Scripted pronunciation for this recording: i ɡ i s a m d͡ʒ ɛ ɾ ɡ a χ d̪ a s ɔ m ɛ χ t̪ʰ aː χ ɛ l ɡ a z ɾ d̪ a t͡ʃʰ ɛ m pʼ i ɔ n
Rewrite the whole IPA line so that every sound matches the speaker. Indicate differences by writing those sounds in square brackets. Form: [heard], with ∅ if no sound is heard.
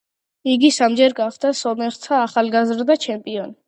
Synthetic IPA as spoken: i ɡ i s a m d͡ʒ ɛ ɾ ɡ a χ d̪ a s ɔ m ɛ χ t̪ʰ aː χ [a] l ɡ a z ɾ d̪ a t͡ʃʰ ɛ m pʼ i ɔ n